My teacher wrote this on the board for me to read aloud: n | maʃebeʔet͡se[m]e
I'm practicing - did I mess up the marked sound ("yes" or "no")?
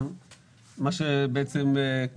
no